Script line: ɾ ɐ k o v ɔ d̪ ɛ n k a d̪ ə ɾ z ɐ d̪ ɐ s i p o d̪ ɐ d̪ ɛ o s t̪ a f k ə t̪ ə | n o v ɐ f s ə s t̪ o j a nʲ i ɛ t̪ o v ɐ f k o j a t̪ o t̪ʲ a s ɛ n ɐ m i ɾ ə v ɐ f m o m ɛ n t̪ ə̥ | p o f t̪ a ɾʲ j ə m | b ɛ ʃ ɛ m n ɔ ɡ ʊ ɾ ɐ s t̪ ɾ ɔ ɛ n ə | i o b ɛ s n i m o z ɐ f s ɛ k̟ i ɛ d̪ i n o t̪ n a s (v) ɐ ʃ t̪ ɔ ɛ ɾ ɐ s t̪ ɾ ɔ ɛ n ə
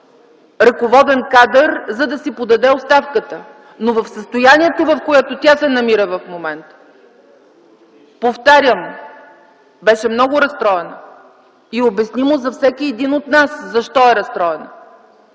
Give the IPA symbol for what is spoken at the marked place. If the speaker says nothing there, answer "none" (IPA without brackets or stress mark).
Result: z